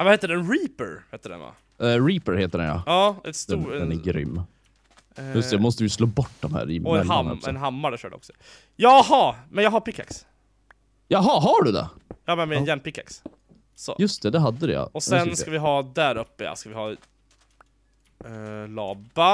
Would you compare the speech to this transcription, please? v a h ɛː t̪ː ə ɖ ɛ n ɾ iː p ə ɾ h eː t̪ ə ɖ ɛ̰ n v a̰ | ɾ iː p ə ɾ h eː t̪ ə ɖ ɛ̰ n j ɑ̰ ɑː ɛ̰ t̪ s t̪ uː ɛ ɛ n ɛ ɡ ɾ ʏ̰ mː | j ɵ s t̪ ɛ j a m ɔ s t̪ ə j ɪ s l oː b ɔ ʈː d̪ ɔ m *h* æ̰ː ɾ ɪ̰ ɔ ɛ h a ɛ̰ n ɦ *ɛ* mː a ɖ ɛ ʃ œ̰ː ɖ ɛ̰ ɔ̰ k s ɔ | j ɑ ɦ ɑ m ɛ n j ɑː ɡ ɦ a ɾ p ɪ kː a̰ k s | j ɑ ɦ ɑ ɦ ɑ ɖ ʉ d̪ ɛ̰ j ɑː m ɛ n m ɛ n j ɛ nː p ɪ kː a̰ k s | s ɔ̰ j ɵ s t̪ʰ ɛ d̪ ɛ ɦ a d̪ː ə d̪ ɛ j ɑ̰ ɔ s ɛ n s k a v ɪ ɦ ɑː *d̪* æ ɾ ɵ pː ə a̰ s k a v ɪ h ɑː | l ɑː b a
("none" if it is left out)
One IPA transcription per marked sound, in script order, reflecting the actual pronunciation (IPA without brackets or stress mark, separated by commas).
h, a, d̪